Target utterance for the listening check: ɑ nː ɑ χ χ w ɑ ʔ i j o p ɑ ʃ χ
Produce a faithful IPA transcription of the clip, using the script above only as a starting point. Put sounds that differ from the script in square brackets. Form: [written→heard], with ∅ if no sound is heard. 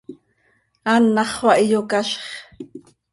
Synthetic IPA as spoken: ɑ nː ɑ χ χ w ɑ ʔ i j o [p→k] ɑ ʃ χ